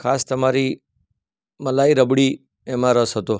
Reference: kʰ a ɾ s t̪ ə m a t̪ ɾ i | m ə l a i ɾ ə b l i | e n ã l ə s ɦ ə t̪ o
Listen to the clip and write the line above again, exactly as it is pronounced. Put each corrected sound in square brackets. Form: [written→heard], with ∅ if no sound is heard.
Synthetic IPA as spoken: kʰ a [ɾ→∅] s t̪ ə m a [t̪→∅] ɾ i | m ə l a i ɾ ə b [l→ɽ] i | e [n→m] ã [l→ɾ] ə s ɦ ə t̪ o

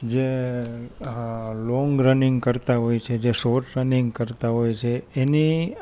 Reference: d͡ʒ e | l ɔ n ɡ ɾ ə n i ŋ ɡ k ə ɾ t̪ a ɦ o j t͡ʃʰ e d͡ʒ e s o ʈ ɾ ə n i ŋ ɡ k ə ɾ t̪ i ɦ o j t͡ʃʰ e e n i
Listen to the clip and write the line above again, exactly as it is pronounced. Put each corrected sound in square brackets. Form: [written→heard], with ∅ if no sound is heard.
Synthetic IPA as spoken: d͡ʒ e | l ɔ [n→ŋ] ɡ ɾ ə n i ŋ ɡ k ə ɾ t̪ a ɦ o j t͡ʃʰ e d͡ʒ e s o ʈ ɾ ə n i ŋ ɡ k ə ɾ t̪ [i→a] ɦ o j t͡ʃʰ e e n i

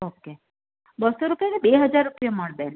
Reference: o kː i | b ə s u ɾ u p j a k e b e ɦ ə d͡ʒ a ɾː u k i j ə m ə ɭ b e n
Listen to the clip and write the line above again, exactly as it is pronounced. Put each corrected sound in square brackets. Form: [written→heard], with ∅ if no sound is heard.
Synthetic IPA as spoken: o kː [i→e] | b ə s [u→o] ɾ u p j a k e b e ɦ ə d͡ʒ a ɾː u [k→p] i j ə m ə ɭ b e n

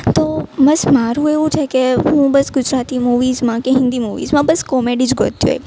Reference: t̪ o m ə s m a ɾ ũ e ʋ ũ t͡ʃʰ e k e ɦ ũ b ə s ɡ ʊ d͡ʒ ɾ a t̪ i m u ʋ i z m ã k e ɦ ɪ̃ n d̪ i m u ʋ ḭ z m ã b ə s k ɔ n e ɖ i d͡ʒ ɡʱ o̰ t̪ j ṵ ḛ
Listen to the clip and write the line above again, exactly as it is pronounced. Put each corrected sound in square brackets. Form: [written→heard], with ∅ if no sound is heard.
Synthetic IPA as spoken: t̪ o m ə s m a ɾ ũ e ʋ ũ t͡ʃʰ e k e ɦ ũ b ə s ɡ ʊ d͡ʒ ɾ a t̪ i m u ʋ i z m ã k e ɦ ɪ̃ n d̪ i m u ʋ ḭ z m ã b ə s k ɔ [n→m] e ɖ i d͡ʒ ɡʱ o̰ t̪ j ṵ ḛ

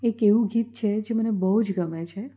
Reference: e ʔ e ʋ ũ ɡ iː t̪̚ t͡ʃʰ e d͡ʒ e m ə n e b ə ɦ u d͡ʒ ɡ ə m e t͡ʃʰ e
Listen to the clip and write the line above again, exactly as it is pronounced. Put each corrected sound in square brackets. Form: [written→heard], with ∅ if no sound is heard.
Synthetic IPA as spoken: e [ʔ→k] e ʋ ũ ɡ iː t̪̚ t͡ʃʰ e d͡ʒ e m ə n e b ə ɦ u d͡ʒ ɡ ə m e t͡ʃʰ e

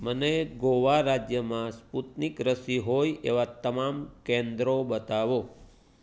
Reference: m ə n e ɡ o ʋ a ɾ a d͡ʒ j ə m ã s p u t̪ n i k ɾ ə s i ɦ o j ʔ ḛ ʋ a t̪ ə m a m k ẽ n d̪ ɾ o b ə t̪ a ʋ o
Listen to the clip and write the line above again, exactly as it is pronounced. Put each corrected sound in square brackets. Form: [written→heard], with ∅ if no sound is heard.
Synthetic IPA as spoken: m ə n e ɡ o ʋ a ɾ a d͡ʒ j ə m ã s p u t̪ n i k ɾ ə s i ɦ o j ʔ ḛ ʋ a t̪ ə m a m k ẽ n d̪ ɾ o b ə t̪ a ʋ o

